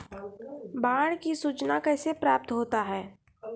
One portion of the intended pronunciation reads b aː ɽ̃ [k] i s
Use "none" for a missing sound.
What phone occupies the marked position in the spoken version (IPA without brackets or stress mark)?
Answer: k